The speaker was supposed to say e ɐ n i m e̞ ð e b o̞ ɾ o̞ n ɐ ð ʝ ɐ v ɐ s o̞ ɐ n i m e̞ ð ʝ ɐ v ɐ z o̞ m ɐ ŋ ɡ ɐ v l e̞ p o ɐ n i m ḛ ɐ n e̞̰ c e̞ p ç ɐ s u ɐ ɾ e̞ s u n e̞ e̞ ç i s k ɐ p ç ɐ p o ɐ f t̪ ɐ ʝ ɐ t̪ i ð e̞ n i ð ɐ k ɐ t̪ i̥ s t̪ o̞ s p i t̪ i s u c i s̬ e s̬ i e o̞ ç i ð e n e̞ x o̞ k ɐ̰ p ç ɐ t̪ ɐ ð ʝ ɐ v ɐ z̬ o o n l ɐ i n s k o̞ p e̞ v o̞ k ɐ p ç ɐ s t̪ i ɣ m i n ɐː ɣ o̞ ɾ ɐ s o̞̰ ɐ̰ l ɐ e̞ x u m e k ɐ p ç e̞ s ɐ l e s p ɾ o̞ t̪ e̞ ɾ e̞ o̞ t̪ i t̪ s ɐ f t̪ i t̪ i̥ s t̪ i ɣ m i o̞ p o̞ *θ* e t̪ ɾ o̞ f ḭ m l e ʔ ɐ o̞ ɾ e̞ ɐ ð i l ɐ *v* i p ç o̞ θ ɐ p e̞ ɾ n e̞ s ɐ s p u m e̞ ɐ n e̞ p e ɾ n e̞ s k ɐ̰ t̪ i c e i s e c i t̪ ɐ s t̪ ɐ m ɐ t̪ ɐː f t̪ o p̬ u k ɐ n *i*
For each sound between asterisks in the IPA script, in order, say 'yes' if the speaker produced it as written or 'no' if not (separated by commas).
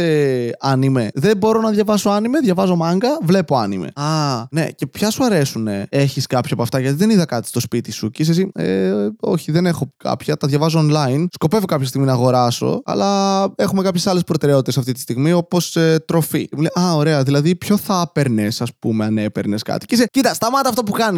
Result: no, no, yes